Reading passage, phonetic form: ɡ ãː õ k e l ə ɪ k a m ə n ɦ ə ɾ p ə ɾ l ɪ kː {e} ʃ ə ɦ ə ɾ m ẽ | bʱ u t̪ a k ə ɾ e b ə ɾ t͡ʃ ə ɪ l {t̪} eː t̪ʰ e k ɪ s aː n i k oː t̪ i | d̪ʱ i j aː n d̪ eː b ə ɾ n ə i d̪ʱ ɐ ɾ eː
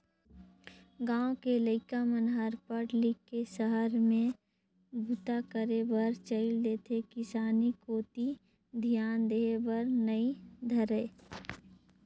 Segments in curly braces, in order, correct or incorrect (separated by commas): correct, incorrect